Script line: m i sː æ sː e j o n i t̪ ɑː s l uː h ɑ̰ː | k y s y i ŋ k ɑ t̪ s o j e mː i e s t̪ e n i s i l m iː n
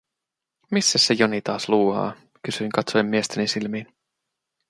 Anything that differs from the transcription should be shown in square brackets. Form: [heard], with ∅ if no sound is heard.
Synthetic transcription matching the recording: m i sː æ sː e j o n i t̪ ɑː s l uː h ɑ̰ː | k y s y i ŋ k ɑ t̪ s o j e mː i e s t̪ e n i s i l m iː n